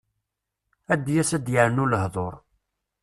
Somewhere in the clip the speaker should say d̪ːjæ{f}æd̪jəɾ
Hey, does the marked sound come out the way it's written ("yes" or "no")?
no